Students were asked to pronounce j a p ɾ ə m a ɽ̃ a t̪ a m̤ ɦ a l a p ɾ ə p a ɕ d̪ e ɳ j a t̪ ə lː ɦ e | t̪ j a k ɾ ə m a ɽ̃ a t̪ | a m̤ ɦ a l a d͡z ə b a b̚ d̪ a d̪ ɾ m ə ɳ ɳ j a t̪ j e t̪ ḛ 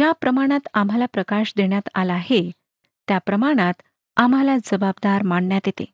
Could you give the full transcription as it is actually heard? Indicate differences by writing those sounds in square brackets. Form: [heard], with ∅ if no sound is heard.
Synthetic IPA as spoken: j a p ɾ ə m a ɽ̃ a t̪ a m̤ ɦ a l a p ɾ ə [k] a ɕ d̪ e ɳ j a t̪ [a] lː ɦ e | t̪ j a [p] ɾ ə m a ɽ̃ a t̪ | a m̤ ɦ a l a d͡z ə b a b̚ d̪ a [∅] ɾ m [a] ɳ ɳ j a t̪ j e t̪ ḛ